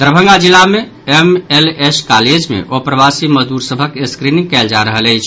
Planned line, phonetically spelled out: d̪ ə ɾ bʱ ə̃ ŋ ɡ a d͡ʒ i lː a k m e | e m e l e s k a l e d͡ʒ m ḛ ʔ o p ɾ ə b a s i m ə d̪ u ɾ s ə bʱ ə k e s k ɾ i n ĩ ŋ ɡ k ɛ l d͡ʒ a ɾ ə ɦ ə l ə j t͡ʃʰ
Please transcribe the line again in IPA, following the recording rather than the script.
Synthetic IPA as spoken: d̪ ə ɾ bʱ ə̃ ŋ ɡ a d͡ʒ i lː a m e | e m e l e s k a l e d͡ʒ m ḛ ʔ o p ɾ ə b a s i m ə d̪ u ɾ s ə bʱ ə k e s k ɾ i n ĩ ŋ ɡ k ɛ l d͡ʒ a ɾ ə ɦ ə l ə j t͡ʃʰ